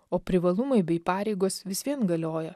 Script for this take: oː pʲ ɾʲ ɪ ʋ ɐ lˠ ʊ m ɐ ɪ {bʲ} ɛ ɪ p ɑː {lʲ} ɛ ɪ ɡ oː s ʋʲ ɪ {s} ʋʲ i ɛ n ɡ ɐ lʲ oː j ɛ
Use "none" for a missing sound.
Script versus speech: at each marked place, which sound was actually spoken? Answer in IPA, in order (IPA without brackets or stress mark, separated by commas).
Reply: bʲ, ɾʲ, s